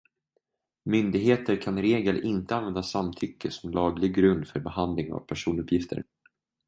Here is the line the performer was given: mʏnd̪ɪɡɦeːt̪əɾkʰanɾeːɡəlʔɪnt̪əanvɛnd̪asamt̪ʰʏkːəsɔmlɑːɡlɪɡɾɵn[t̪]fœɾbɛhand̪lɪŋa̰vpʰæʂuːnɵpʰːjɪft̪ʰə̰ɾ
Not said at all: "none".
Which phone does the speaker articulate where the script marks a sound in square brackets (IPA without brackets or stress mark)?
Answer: d̪